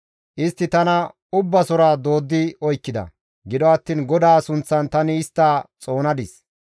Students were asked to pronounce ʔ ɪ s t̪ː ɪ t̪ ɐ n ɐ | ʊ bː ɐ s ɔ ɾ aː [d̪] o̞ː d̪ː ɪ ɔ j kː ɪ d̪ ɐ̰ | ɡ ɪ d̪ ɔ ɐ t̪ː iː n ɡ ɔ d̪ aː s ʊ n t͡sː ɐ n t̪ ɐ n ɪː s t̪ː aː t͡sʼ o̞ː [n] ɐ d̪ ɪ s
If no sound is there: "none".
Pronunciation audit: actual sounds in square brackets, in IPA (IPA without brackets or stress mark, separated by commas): d̪, n